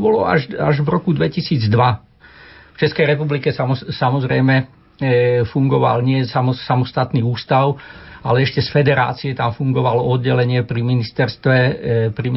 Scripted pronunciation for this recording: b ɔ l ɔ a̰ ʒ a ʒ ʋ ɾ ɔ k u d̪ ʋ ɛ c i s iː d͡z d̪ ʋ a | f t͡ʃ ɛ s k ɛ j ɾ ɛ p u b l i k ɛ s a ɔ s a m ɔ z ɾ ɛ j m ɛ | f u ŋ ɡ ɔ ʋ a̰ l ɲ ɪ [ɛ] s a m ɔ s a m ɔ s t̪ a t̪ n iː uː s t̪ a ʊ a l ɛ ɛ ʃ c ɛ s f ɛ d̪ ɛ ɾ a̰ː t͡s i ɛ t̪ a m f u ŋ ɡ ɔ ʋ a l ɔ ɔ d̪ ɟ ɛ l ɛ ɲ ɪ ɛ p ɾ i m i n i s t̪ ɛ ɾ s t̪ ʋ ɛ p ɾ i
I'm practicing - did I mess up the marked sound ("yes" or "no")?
no